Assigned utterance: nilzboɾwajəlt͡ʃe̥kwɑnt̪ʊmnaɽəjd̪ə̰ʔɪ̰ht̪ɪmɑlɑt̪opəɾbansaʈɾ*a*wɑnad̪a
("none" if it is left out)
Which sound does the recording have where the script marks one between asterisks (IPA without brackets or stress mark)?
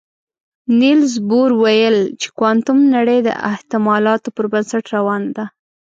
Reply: a